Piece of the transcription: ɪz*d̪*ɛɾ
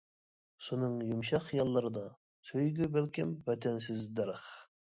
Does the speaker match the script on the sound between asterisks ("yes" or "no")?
yes